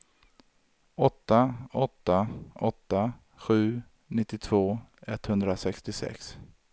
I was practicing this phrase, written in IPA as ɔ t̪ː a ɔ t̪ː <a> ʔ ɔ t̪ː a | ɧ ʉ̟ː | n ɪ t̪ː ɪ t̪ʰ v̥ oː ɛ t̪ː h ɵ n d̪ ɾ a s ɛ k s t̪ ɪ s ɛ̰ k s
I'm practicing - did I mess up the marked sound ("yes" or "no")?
no